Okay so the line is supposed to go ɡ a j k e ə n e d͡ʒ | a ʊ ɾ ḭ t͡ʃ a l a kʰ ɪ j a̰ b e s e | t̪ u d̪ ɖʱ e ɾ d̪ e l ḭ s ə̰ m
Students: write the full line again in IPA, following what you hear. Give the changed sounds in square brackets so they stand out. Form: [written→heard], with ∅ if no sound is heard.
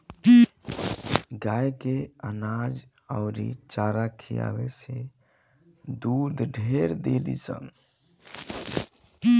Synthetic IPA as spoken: ɡ a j k e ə n [e→a] d͡ʒ | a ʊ ɾ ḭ t͡ʃ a [l→ɾ] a kʰ [ɪ→i] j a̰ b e s e | [t̪→d̪] u d̪ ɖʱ e ɾ d̪ e l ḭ s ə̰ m